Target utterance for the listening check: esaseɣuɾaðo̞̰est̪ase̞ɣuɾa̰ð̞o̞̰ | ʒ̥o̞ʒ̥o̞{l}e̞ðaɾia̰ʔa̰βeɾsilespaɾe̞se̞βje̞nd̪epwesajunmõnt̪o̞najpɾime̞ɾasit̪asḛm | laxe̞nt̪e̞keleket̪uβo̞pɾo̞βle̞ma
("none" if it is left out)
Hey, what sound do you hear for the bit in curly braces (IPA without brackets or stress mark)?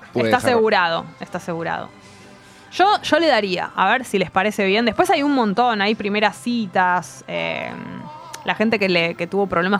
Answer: l